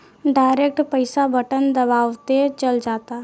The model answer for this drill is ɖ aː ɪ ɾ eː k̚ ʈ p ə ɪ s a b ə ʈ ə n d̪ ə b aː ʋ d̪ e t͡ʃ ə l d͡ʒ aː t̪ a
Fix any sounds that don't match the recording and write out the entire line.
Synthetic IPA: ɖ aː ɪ ɾ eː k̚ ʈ p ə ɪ s a b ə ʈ ə n d̪ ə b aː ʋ t̪ e t͡ʃ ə l d͡ʒ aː t̪ a